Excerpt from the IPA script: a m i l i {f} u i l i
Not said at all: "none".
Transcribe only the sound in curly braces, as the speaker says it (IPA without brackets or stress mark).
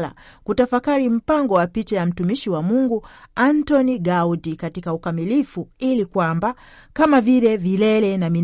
f